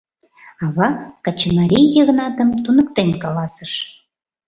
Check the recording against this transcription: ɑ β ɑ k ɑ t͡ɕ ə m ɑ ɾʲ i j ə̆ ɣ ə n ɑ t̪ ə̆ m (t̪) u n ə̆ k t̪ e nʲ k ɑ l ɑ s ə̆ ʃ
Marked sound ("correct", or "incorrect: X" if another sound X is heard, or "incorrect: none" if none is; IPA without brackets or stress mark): correct